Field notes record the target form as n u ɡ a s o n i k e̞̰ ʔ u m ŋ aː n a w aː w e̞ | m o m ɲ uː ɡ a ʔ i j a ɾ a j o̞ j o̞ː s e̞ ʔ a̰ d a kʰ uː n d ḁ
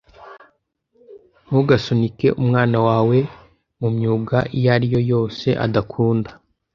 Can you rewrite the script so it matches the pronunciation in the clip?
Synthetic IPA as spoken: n u ɡ a s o n i k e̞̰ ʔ u m ŋ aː n a w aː w e̞ | m u m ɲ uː ɡ a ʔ i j a ɾ i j o̞ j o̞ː s e̞ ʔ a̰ d a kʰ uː n d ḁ